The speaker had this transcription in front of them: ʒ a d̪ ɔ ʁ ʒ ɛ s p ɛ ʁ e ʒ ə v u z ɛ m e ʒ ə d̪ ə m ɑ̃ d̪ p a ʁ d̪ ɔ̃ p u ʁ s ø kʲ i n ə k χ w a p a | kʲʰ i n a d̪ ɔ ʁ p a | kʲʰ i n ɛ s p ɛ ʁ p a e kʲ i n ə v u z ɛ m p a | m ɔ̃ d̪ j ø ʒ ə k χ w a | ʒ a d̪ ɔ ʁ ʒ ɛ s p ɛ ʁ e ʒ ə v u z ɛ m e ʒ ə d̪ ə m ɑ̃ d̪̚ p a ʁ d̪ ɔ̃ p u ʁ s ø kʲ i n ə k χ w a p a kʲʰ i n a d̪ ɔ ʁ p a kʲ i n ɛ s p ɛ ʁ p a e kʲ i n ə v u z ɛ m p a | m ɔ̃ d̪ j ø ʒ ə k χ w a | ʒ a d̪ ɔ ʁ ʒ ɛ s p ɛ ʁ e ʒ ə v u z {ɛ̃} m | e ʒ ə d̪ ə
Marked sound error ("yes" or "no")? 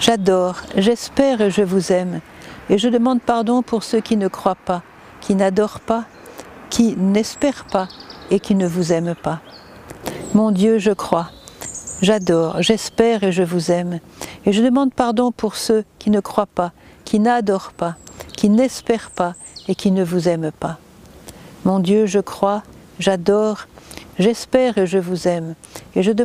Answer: yes